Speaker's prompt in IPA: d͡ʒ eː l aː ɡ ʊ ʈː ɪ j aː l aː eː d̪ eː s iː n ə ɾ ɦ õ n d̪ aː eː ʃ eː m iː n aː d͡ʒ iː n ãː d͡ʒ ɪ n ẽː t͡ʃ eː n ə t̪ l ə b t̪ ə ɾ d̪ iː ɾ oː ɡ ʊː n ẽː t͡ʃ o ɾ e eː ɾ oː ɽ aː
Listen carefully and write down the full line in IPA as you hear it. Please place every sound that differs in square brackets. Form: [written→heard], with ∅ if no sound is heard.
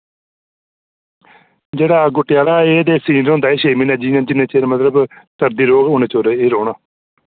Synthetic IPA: d͡ʒ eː [l→ɽ] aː ɡ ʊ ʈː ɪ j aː l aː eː d̪ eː s iː n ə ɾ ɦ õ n d̪ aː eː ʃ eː m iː n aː d͡ʒ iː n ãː d͡ʒ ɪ n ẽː t͡ʃ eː [n→m] ə t̪ l ə b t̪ ə ɾ d̪ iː ɾ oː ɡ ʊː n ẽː t͡ʃ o ɾ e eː ɾ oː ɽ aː

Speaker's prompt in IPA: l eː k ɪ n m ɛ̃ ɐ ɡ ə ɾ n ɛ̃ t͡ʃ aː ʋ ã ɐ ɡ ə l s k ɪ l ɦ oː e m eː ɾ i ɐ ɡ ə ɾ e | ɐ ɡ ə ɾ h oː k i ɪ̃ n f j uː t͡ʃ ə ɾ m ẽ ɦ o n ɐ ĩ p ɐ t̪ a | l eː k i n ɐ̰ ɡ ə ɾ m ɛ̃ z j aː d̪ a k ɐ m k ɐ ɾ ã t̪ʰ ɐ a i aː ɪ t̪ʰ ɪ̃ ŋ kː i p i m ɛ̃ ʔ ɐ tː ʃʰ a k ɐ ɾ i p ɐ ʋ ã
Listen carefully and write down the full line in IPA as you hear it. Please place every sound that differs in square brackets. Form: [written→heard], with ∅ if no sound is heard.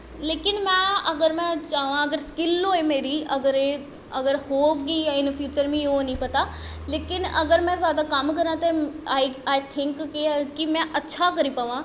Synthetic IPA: l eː k ɪ n m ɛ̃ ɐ ɡ ə ɾ [n→m] ɛ̃ t͡ʃ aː ʋ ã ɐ ɡ ə [l→ɾ] s k ɪ l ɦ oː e m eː ɾ i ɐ ɡ ə ɾ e | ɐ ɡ ə ɾ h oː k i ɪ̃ n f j uː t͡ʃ ə ɾ m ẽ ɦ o n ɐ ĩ p ɐ t̪ a | l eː k [i→ɪ] n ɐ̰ ɡ ə ɾ m ɛ̃ z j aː d̪ a k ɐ m k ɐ ɾ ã [t̪ʰ→t̪] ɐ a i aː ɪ t̪ʰ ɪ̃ ŋ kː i [p→k] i m ɛ̃ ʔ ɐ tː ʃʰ a k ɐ ɾ i p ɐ ʋ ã

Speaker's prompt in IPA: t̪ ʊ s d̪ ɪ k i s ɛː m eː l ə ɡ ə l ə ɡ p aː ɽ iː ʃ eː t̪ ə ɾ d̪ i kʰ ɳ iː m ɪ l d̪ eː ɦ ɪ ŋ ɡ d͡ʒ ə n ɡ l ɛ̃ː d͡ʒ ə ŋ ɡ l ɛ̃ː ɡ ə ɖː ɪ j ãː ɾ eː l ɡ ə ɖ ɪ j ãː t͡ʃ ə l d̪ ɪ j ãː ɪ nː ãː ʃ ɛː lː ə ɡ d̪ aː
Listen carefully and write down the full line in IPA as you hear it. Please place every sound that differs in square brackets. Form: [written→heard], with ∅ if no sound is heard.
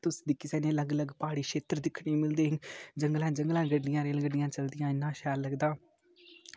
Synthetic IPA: t̪ ʊ s d̪ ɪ k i s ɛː [m→n] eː l ə ɡ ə l ə ɡ p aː ɽ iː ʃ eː t̪ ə ɾ d̪ [i→ɪ] kʰ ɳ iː m ɪ l d̪ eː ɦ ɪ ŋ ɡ d͡ʒ ə [n→ŋ] ɡ l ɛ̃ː d͡ʒ ə ŋ ɡ l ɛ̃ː ɡ ə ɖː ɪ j ãː ɾ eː l ɡ ə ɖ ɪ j ãː t͡ʃ ə l d̪ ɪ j ãː ɪ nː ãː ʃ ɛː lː ə ɡ d̪ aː

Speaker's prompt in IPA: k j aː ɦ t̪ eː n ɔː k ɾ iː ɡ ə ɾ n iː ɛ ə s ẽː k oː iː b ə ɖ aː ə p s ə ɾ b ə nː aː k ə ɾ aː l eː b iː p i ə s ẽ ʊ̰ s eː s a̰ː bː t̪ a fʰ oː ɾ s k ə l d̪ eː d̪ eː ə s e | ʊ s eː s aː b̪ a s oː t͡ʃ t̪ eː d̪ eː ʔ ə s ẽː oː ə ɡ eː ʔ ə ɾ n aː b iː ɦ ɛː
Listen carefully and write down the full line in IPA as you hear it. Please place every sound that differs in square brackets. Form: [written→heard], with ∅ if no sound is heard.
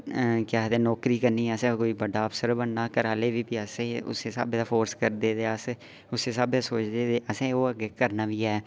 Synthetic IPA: k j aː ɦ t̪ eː n ɔː k ɾ iː [ɡ→k] ə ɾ n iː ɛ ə s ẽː k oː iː b ə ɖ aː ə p s ə ɾ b ə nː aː k ə ɾ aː l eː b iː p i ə s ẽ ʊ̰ s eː s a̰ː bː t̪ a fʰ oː ɾ s k ə [l→ɾ] d̪ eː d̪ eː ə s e | ʊ s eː s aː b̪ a s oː t͡ʃ [t̪→d̪] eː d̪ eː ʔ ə s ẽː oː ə ɡ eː [ʔ→k] ə ɾ n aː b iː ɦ ɛː

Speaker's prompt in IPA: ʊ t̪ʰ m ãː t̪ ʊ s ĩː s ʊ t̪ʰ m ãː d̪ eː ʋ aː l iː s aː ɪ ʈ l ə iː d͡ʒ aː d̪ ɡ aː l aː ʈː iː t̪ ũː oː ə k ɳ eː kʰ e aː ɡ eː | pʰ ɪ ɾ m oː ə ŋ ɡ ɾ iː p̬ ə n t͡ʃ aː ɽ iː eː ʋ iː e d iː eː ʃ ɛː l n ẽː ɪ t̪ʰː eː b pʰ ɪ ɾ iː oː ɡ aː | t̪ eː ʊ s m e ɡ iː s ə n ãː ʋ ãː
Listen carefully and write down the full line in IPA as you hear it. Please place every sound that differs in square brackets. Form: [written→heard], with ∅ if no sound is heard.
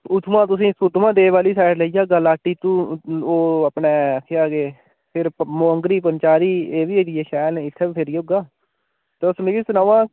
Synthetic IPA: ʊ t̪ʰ m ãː t̪ ʊ s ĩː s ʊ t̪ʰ m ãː d̪ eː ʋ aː l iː s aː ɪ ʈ l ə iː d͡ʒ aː [d̪→∅] ɡ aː l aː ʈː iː t̪ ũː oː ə [k→p] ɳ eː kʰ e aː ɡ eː | pʰ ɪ ɾ m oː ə ŋ ɡ ɾ iː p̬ ə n t͡ʃ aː [ɽ→ɾ] iː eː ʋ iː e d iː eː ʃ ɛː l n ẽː ɪ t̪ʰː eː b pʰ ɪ ɾ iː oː ɡ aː | t̪ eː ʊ s m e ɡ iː s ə n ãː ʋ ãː

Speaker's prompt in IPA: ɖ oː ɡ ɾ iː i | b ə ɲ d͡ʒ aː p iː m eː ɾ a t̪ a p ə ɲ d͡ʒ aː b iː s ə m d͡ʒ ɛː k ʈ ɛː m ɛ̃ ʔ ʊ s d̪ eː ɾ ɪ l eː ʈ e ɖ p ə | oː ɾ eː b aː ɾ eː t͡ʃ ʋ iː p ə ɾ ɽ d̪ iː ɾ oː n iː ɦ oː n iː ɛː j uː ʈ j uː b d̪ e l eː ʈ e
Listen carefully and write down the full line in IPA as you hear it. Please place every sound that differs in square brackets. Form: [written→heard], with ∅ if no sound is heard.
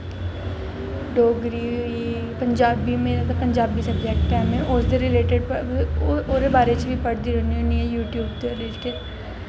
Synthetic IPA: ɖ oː ɡ ɾ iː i | [b→p] ə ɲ d͡ʒ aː [p→b] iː m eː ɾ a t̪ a p ə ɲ d͡ʒ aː b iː s ə [m→b] d͡ʒ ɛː k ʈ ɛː m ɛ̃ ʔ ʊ s d̪ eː ɾ ɪ l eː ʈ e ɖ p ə | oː ɾ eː b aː ɾ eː t͡ʃ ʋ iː p ə [ɾ→∅] ɽ d̪ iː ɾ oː n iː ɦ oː n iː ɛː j uː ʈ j uː b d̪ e l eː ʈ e

